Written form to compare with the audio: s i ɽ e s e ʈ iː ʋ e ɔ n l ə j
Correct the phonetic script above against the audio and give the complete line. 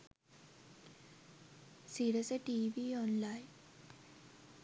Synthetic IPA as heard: s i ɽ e s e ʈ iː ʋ i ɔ n l a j